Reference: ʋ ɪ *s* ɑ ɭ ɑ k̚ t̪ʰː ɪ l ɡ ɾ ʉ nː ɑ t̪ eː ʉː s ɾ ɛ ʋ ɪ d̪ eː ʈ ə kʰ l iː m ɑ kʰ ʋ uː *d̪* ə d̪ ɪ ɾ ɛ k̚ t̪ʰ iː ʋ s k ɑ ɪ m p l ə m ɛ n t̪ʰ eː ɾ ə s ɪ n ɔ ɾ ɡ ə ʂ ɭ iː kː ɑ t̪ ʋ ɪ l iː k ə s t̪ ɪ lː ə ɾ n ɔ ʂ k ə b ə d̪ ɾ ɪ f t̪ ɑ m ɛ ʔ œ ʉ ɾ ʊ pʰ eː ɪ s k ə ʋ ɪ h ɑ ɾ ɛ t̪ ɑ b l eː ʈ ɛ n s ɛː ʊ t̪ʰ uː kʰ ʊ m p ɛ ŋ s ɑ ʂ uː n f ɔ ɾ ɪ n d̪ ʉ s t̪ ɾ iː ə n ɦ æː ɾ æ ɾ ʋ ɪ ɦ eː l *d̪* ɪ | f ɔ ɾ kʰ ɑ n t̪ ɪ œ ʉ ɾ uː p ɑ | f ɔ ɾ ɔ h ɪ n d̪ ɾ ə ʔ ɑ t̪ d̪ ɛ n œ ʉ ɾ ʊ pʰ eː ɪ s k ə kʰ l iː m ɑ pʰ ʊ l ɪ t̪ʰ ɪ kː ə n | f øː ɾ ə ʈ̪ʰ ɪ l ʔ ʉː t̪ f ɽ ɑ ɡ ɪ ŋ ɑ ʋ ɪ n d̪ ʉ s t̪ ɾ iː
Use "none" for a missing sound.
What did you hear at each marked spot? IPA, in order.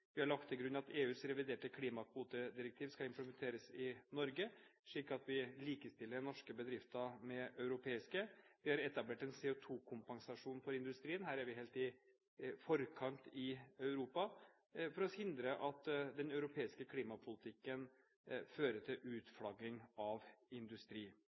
h, t̪, t̪

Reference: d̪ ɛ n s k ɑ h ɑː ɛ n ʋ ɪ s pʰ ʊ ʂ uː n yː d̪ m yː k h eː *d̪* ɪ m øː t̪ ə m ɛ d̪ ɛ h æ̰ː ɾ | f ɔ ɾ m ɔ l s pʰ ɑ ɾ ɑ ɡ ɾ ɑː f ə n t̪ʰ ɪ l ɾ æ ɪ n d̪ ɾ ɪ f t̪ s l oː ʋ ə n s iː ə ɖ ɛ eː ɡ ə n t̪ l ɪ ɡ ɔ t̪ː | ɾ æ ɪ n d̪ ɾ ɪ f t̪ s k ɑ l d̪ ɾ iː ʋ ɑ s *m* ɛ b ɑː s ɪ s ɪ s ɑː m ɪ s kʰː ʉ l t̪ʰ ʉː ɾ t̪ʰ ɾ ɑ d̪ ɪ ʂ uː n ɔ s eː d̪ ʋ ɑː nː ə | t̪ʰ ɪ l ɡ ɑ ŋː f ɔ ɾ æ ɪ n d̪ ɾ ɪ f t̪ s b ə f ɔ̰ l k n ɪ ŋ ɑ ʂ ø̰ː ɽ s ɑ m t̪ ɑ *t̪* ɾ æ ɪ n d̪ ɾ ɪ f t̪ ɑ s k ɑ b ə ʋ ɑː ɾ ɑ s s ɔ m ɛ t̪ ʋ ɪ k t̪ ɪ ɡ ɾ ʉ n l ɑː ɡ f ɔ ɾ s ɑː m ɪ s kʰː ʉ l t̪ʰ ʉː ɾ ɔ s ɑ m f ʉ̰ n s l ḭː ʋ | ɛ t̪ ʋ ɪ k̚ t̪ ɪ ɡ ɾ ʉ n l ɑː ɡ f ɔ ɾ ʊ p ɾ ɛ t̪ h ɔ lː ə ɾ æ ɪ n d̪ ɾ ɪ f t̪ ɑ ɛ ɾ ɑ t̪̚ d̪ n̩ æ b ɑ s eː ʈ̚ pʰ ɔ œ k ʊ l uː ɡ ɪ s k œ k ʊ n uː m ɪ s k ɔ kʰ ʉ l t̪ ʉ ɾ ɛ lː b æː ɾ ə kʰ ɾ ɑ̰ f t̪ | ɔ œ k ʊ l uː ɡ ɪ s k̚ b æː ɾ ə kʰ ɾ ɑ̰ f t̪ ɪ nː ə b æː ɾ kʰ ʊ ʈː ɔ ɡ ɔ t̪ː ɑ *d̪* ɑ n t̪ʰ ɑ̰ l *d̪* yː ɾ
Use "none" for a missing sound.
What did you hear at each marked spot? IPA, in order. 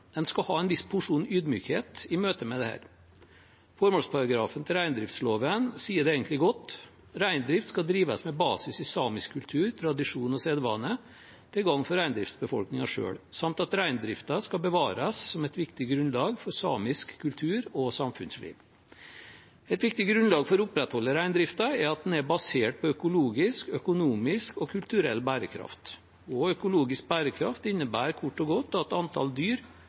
t̪, m, t̪, t̪, d̪

